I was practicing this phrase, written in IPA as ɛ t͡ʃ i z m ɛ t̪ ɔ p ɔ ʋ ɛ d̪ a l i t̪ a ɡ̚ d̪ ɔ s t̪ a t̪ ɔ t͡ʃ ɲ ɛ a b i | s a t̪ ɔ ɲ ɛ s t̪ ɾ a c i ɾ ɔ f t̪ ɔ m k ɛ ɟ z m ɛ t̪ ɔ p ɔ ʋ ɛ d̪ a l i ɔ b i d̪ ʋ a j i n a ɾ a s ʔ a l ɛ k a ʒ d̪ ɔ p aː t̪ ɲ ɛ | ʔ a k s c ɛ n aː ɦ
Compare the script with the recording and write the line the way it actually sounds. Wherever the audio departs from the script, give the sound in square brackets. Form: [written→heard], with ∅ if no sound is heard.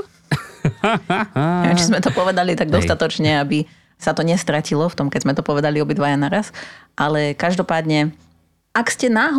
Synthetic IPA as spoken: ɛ t͡ʃ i z m ɛ t̪ ɔ p ɔ ʋ ɛ d̪ a l i t̪ a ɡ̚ d̪ ɔ s t̪ a t̪ ɔ t͡ʃ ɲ ɛ a b i | s a t̪ ɔ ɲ ɛ s t̪ ɾ a c i [ɾ→l] ɔ f t̪ ɔ m k ɛ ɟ z m ɛ t̪ ɔ p ɔ ʋ ɛ d̪ a l i ɔ b i d̪ ʋ a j [i→a] n a ɾ a s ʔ a l ɛ k a ʒ d̪ ɔ p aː [t̪→d̪] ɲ ɛ | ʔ a k s c ɛ n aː ɦ